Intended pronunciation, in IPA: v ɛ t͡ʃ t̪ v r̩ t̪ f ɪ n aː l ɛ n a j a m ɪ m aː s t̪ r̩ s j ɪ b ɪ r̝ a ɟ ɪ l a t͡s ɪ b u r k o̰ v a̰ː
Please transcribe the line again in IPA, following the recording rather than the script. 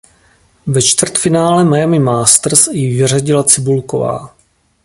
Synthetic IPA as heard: v ɛ t͡ʃ t̪ v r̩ t̪ f ɪ n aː l ɛ m a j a m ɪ m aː s t̪ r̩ s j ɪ v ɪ r̝ a ɟ ɪ l a t͡s ɪ b u l k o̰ v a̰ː